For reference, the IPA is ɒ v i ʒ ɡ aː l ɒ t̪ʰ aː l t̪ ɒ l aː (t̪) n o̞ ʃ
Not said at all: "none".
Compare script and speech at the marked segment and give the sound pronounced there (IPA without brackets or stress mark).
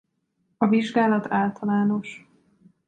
none